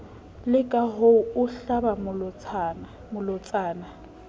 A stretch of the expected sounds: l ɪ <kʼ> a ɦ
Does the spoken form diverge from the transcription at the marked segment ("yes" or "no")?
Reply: no